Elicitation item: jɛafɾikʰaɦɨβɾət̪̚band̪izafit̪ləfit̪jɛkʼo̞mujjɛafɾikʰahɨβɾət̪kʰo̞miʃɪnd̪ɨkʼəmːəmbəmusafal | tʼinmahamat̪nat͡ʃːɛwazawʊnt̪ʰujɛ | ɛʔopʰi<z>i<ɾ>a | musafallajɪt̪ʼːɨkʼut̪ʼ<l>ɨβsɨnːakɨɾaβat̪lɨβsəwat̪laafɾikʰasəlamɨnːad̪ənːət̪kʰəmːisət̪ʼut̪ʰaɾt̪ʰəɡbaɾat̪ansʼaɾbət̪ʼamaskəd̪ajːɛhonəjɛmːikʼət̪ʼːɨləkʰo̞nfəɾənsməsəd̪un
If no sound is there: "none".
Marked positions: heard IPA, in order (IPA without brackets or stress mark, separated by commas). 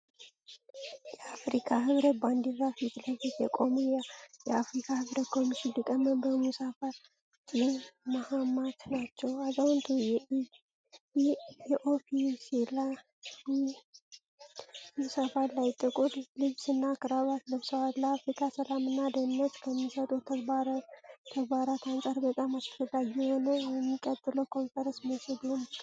s, l, l